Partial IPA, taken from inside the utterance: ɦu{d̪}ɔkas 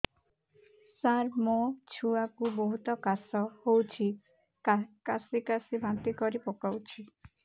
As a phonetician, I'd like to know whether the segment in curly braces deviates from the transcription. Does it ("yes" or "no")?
yes